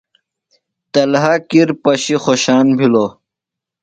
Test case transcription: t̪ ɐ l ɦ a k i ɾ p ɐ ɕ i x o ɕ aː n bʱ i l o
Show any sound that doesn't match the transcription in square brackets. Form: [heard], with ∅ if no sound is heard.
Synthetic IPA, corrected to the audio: t̪ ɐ l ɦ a k i ɾ p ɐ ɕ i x o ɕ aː n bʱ i l o